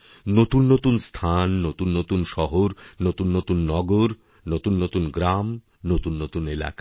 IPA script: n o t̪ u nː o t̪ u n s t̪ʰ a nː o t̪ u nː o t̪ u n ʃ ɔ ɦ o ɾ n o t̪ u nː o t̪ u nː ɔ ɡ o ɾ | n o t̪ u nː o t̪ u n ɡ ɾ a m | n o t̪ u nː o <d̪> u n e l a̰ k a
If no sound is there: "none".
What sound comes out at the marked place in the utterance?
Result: t̪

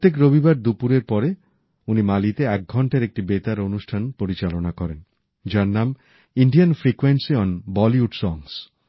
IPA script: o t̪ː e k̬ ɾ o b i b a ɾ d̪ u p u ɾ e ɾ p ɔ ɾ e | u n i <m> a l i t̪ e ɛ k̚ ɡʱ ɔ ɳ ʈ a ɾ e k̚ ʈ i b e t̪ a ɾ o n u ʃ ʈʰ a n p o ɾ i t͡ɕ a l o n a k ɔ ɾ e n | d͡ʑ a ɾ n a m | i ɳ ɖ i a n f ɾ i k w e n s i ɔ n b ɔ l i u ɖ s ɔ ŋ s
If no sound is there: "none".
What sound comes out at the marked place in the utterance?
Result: m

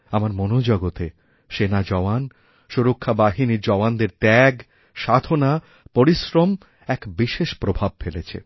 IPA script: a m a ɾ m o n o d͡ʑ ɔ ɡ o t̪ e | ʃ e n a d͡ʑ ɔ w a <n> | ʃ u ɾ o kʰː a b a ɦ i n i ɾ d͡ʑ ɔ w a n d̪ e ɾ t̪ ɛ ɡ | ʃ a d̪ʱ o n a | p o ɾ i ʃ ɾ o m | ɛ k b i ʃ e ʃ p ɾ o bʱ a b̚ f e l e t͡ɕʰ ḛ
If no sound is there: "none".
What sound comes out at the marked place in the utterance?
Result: n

